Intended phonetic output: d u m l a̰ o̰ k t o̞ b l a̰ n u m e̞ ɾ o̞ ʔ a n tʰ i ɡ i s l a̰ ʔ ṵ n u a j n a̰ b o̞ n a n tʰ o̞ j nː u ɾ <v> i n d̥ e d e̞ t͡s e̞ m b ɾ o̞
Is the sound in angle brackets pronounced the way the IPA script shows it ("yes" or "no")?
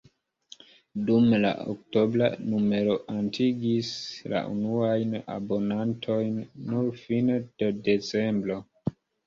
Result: no